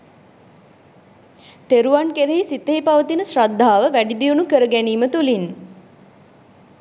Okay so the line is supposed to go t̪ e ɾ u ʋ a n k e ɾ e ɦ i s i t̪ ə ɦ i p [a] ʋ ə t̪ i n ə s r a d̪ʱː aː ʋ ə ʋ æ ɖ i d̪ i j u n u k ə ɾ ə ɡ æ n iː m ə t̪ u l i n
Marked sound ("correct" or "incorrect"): correct